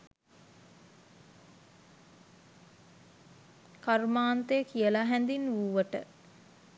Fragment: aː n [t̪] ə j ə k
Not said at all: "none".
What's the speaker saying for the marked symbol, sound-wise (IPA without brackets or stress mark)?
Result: t̪